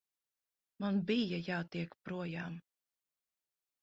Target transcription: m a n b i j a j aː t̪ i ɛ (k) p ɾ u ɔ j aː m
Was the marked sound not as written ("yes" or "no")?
no